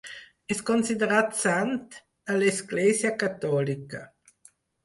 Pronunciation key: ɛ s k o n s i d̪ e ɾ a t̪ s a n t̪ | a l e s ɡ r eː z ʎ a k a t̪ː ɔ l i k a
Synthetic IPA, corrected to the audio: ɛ s k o n s i d̪ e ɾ a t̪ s a n t̪ | a l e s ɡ l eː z j a k a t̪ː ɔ l i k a